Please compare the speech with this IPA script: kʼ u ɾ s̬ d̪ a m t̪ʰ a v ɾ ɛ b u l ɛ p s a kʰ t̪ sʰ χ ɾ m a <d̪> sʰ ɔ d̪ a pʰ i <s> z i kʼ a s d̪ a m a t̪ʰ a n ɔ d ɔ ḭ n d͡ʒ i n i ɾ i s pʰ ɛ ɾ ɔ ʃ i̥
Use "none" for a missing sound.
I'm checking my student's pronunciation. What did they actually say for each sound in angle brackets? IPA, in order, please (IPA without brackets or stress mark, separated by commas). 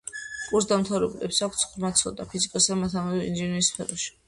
t̪, none